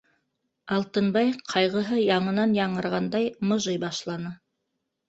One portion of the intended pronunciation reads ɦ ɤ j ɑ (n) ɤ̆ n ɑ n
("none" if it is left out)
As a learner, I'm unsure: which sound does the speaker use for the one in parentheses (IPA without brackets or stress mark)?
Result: ɴ